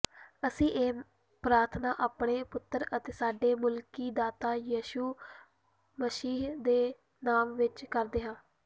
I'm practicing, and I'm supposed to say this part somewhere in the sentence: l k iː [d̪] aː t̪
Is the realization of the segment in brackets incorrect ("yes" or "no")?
no